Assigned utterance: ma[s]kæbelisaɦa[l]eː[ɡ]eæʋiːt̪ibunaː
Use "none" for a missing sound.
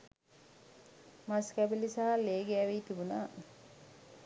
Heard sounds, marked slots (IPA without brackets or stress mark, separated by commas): s, l, ɡ